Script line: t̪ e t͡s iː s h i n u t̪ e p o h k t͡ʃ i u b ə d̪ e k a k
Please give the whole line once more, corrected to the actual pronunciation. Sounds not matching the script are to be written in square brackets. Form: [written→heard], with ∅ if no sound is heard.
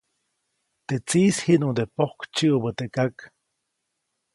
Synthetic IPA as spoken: t̪ e t͡s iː s h i n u [t̪→d̪] e p o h k t͡ʃ i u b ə [d̪→t̪] e k a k

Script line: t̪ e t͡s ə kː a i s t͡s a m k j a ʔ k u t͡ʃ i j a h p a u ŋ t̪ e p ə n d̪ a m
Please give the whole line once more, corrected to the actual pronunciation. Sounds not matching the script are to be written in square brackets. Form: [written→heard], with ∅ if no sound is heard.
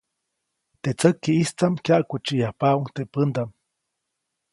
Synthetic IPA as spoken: t̪ e t͡s ə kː [a→i] i s t͡s a m k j a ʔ k u t͡ʃ i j a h p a u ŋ t̪ e p ə n d̪ a m

